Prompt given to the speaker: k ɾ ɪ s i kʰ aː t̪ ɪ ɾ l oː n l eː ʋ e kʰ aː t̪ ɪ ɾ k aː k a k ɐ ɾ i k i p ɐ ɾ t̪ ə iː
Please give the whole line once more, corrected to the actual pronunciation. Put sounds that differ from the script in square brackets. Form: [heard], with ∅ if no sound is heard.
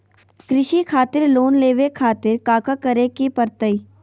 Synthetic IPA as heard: k ɾ ɪ [ʃ] i kʰ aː t̪ ɪ ɾ l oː n l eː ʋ e kʰ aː t̪ ɪ ɾ k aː k a k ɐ ɾ [e] k i p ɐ ɾ t̪ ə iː